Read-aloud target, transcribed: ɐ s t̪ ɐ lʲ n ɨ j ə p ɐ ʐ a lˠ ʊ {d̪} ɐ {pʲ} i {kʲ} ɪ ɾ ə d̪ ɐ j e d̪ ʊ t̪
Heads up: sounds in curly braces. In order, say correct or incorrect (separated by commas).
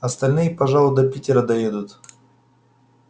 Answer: correct, correct, incorrect